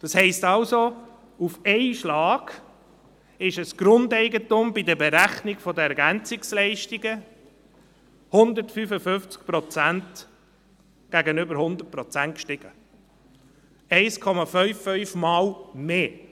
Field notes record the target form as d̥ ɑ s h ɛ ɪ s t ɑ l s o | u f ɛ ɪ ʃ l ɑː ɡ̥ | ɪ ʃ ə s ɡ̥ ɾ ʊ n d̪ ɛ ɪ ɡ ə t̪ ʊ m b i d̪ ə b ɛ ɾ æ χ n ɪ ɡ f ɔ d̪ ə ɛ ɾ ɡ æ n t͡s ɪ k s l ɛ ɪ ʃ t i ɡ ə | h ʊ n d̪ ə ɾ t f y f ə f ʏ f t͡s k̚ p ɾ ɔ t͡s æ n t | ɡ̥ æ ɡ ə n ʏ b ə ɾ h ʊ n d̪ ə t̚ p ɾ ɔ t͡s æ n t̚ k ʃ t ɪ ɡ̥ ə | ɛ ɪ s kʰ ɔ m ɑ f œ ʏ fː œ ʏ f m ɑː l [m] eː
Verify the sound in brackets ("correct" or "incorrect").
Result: correct